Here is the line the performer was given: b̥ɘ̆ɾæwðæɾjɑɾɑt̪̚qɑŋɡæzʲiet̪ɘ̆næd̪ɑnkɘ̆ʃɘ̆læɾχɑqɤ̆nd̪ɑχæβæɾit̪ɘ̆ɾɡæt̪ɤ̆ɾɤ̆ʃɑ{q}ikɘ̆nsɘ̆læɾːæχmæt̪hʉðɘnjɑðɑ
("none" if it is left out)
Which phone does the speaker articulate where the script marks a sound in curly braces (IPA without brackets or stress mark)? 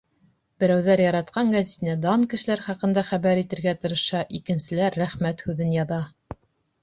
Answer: ʔ